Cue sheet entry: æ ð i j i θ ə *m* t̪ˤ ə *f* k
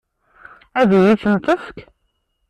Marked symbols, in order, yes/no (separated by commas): no, yes